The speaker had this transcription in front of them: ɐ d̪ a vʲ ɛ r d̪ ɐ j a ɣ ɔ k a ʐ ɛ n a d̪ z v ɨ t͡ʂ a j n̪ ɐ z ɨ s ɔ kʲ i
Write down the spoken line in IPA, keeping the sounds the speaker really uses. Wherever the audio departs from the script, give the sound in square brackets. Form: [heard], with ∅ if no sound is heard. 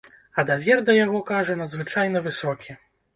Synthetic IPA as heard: ɐ d̪ a vʲ ɛ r d̪ ɐ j a ɣ ɔ k a ʐ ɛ n [ɐ] d̪ z v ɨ t͡ʂ a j n̪ ɐ [v] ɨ s ɔ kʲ i